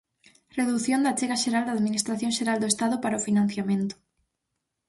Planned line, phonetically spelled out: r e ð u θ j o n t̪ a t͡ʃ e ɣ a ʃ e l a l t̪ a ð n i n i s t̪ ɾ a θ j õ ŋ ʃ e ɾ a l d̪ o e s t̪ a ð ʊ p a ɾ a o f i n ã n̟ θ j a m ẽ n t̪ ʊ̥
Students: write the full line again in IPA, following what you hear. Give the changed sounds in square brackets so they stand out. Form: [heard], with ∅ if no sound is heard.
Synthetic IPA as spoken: r e ð u θ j o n [d̪] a t͡ʃ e ɣ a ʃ e [ɾ] a l [d̪] a ð [m] i n i s t̪ ɾ a θ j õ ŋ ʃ e ɾ a l d̪ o e s t̪ a ð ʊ p a ɾ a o f i n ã n̟ θ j a m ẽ n t̪ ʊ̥